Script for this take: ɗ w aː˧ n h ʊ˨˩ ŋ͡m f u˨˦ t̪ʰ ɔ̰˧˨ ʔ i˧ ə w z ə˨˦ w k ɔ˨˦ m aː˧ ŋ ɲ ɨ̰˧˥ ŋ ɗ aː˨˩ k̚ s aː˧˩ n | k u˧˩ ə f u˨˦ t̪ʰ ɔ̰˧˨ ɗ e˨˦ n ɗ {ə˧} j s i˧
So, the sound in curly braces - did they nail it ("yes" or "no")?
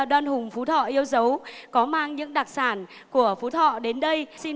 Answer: yes